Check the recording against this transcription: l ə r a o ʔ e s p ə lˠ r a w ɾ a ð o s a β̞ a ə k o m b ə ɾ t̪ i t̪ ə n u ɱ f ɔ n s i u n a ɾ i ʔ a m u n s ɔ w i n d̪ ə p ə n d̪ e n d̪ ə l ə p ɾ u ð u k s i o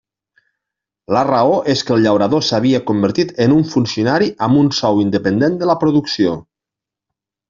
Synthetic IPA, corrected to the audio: l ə r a o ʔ e s k ə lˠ ʎ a w ɾ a ð o s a β̞ i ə k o m b ə ɾ t̪ i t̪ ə n u ɱ f u n s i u n a ɾ i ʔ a m u n s ɔ w i n d̪ ə p ə n d̪ e n d̪ ə l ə p ɾ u ð u k s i o